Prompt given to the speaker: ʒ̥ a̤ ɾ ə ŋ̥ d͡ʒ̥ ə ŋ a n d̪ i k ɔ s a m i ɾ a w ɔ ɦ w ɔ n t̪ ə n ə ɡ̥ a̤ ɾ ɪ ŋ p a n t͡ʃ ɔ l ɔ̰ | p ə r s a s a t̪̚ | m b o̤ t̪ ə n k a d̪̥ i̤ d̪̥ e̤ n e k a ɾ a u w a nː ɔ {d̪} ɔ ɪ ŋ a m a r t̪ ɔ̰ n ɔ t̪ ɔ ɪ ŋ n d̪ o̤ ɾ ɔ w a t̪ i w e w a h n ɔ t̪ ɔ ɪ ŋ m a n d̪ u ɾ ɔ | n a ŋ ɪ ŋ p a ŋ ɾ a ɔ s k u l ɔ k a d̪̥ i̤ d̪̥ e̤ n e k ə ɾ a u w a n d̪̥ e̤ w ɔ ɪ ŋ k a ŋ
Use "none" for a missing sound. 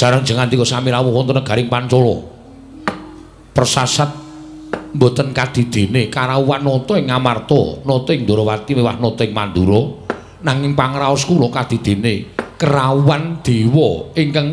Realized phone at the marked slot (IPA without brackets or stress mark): t̪